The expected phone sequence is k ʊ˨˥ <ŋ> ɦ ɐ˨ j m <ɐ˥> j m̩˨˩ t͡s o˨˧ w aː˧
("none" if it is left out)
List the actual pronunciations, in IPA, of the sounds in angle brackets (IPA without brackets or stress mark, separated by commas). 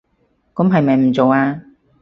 m, ɐ˨